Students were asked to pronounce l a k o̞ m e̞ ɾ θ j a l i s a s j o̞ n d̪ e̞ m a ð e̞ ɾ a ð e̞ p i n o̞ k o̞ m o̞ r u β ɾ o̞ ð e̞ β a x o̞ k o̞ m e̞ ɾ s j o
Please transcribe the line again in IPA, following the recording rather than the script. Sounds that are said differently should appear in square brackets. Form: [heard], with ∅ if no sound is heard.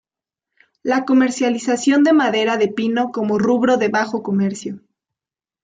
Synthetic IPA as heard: l a k o̞ m e̞ ɾ [s] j a l i s a s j o̞ n d̪ e̞ m a ð e̞ ɾ a ð e̞ p i n o̞ k o̞ m o̞ r u β ɾ o̞ ð e̞ β a x o̞ k o̞ m e̞ ɾ s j o